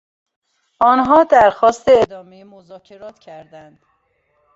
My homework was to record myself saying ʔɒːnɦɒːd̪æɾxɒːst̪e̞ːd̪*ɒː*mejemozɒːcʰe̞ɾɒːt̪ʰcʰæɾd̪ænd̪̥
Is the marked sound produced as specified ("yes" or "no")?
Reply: yes